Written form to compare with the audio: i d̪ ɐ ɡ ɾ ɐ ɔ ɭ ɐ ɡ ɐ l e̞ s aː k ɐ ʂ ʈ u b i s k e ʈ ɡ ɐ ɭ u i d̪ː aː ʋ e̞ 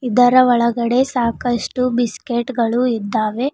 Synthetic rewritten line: i d̪ ɐ ɾ ɐ ɔ ɭ ɐ ɡ ɐ ɽ e̞ s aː k ɐ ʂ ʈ u b i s k e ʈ ɡ ɐ ɭ u i d̪ː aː ʋ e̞